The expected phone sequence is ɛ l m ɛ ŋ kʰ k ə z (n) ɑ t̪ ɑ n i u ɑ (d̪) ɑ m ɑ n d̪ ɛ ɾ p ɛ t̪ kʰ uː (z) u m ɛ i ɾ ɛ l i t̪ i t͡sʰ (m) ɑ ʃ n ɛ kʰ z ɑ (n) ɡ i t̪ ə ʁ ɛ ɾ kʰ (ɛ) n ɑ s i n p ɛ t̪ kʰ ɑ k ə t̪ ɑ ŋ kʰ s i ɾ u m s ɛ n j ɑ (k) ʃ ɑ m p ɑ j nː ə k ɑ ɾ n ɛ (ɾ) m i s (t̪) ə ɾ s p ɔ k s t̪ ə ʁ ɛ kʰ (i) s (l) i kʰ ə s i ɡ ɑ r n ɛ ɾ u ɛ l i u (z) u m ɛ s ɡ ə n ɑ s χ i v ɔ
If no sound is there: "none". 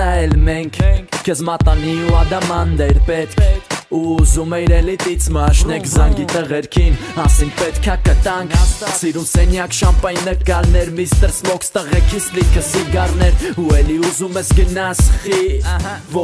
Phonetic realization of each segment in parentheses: m, d̪, z, m, ŋ, i, k, ɾ, t̪, i, l, z

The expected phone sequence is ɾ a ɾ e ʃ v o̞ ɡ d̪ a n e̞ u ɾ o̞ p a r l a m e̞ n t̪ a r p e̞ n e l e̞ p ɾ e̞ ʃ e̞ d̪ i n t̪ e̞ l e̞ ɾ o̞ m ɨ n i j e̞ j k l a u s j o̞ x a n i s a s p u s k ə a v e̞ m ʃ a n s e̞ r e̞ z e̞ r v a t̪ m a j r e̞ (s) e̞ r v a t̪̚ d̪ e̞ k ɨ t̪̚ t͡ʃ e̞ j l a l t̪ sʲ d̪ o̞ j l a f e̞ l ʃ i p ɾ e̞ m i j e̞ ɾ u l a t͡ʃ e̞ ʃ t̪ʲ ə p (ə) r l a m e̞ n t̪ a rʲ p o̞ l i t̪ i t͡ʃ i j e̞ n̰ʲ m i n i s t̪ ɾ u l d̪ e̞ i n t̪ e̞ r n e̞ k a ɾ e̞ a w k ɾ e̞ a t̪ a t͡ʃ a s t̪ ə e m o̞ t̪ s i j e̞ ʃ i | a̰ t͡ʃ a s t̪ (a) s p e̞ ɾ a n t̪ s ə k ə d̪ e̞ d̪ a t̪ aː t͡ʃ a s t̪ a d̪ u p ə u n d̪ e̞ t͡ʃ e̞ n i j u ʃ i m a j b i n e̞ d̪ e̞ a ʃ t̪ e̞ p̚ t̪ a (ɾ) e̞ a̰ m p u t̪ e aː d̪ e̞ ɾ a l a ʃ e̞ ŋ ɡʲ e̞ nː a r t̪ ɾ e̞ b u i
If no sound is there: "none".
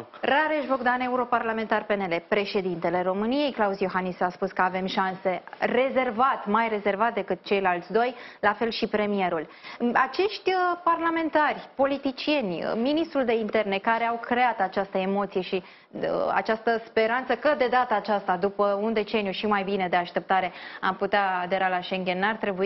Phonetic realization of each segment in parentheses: z, a, ə, ɾ

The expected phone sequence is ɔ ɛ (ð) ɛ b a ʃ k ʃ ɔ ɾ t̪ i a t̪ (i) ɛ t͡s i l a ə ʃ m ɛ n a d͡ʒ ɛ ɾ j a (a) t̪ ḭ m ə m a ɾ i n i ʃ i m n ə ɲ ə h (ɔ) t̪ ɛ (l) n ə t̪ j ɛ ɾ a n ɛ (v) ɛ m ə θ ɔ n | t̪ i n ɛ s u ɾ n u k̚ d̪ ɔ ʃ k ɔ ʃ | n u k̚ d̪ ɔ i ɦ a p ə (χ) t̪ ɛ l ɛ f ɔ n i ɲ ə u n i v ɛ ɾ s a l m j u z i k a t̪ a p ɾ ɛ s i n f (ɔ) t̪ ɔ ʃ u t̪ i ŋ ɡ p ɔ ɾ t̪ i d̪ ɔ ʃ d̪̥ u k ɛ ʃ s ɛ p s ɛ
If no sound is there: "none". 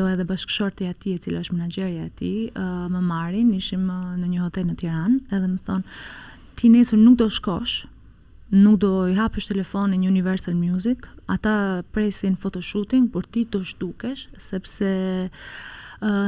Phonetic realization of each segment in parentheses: ð, i, ɛ, ɔ, l, ð, ʃ, ɔ

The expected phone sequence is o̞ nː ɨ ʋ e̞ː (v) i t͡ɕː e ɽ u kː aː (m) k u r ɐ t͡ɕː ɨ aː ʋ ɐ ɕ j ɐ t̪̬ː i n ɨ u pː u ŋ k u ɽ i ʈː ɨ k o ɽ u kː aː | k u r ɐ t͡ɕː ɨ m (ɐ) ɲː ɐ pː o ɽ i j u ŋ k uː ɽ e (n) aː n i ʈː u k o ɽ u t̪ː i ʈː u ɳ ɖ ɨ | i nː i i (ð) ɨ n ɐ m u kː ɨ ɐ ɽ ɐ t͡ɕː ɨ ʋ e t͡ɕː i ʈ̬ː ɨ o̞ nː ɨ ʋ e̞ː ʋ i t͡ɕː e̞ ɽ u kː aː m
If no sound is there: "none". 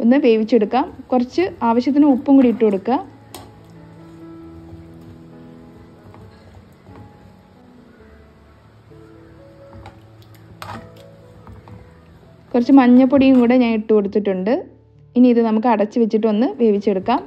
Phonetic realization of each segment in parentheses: ʋ, m, ɐ, ɲ, ð

